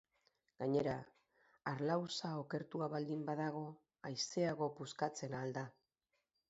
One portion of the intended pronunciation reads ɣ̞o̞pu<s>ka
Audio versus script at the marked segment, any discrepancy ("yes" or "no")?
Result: no